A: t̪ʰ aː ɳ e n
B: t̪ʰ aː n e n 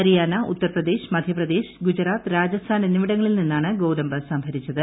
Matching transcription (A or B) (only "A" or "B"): B